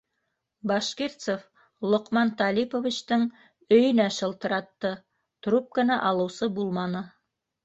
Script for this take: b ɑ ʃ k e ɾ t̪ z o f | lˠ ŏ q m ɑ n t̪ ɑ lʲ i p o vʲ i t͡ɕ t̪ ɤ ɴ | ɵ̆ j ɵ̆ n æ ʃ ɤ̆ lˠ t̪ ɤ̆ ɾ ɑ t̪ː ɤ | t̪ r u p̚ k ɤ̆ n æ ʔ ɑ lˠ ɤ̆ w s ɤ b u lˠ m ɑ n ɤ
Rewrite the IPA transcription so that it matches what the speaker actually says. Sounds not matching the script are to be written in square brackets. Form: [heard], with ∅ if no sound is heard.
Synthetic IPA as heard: b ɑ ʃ k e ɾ t̪ [s] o f | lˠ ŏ q m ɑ n t̪ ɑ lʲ i p o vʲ i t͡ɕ t̪ ɤ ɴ | ɵ̆ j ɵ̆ n æ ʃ ɤ̆ lˠ t̪ ɤ̆ ɾ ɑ t̪ː ɤ | t̪ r u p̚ k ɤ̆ n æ ʔ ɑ lˠ ɤ̆ w s ɤ b u lˠ m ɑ n ɤ